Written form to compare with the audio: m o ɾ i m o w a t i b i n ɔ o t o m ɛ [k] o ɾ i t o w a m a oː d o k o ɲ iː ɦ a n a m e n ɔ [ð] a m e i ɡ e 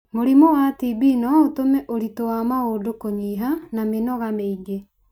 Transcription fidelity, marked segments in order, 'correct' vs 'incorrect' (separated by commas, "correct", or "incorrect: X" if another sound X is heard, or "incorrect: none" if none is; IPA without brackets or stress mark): incorrect: ʔ, incorrect: ɣ